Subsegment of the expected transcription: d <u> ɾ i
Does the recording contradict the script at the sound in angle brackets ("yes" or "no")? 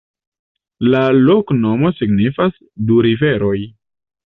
no